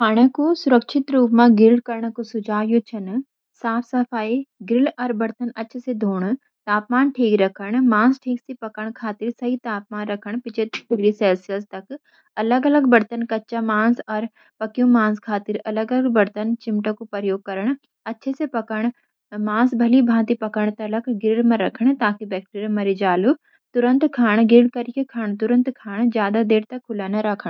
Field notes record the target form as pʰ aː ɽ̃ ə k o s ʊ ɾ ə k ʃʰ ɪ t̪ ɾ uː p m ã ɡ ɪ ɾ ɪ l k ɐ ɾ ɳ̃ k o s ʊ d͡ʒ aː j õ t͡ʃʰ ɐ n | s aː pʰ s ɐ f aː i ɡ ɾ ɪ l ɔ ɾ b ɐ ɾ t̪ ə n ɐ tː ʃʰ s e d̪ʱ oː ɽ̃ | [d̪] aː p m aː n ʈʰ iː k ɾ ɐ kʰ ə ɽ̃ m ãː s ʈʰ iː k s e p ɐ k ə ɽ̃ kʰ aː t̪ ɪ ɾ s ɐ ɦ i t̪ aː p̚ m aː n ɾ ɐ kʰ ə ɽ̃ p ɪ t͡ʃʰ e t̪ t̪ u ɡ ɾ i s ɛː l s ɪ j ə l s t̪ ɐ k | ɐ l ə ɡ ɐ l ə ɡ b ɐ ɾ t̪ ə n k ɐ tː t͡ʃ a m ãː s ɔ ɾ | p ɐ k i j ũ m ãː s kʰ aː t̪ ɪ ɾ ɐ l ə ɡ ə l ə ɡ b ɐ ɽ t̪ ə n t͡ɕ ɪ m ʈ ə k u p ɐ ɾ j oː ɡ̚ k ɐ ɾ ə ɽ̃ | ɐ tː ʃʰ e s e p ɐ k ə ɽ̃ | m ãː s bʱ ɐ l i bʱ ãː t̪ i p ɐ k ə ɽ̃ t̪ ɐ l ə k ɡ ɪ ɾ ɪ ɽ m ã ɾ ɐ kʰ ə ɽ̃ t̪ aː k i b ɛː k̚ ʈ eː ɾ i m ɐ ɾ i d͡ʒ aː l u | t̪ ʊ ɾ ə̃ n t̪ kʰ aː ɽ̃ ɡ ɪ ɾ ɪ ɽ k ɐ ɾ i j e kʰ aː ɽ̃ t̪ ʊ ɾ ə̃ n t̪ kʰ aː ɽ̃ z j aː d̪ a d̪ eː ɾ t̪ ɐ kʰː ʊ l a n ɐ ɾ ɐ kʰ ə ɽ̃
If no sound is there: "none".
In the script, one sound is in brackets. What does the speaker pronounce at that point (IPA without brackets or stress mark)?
t̪